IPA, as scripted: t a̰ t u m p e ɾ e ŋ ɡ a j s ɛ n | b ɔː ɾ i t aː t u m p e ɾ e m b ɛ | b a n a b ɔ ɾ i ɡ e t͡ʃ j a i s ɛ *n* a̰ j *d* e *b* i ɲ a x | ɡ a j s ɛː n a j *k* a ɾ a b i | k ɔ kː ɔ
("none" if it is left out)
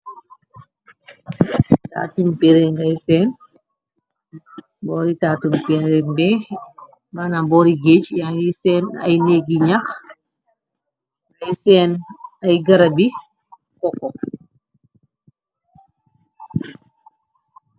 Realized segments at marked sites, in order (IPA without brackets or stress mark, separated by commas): n, n, ɡ, ɡ